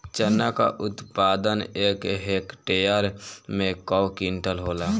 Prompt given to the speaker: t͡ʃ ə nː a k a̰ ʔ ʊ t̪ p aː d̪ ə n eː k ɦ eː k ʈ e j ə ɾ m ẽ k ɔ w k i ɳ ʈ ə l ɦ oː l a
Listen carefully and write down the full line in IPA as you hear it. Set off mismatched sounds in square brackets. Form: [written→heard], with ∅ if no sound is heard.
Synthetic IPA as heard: t͡ʃ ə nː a k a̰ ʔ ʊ t̪ p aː d̪ ə n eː k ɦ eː k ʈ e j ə ɾ m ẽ k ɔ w k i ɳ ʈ ə l ɦ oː l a